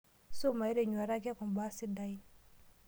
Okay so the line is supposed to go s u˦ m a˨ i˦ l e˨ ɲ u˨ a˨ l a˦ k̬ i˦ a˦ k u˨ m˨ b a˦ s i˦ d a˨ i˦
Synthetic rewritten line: s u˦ m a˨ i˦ ɾ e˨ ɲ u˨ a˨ ɾ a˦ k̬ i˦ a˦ k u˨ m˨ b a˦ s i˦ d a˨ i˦